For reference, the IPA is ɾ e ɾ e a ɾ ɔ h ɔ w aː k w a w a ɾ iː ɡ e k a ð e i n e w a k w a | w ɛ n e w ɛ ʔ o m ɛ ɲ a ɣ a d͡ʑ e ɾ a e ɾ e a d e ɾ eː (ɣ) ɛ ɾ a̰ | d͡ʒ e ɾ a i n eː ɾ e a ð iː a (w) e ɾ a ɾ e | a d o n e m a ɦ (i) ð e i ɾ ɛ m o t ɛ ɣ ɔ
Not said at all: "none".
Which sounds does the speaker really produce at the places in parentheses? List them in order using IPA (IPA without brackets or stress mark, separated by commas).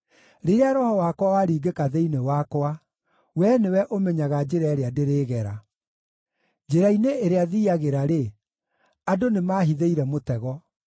ɣ, ɣ, i